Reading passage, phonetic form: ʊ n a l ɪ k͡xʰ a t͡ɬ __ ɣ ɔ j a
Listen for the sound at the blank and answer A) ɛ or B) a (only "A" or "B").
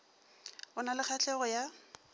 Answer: A